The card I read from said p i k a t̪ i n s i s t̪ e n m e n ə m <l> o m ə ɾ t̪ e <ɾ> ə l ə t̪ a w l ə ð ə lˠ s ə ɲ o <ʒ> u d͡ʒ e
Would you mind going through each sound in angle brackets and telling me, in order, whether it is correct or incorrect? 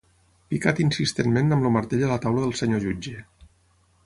correct, incorrect: ʎ, correct

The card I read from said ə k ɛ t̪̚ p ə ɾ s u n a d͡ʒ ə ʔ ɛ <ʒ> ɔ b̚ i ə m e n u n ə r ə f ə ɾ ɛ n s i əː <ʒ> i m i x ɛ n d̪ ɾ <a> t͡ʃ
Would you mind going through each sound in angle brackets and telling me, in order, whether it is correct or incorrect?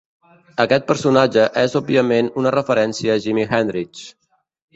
incorrect: z, correct, incorrect: i

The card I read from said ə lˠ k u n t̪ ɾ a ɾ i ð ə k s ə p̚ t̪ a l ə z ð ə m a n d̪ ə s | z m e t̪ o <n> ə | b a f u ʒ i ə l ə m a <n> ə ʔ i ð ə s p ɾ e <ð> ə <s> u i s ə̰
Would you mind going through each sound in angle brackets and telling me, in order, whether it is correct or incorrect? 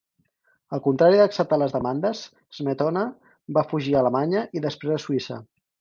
correct, incorrect: ɲ, incorrect: z, correct

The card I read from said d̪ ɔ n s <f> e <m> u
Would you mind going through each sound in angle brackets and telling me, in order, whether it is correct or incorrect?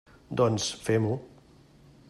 correct, correct

